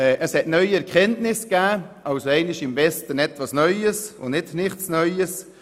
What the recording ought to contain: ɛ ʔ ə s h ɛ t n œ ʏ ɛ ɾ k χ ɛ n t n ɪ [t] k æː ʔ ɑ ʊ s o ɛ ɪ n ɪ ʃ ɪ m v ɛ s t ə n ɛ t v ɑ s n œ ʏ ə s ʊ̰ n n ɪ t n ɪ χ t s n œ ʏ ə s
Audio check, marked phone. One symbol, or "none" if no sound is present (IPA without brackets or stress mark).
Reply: s